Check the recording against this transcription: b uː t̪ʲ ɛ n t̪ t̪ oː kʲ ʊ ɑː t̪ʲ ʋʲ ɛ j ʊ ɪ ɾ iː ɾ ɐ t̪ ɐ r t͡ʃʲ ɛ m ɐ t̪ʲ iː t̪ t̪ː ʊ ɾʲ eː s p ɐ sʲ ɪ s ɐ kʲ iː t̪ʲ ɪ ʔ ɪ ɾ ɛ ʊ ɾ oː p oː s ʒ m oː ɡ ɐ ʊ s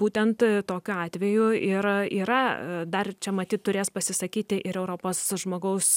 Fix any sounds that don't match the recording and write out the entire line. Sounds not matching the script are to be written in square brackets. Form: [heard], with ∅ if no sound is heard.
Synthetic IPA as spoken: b uː t̪ʲ ɛ n t̪ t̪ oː kʲ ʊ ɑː t̪ʲ ʋʲ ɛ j ʊ ɪ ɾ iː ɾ ɐ [d̪] ɐ r t͡ʃʲ ɛ m ɐ t̪ʲ iː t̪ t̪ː ʊ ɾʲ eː s p ɐ sʲ ɪ s ɐ kʲ iː t̪ʲ ɪ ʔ ɪ ɾ ɛ ʊ ɾ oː p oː s ʒ m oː ɡ ɐ ʊ s